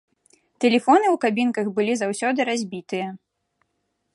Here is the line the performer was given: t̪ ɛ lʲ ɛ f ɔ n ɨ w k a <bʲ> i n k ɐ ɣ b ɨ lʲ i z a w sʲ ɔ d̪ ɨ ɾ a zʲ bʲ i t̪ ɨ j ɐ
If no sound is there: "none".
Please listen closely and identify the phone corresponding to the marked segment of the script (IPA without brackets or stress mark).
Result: bʲ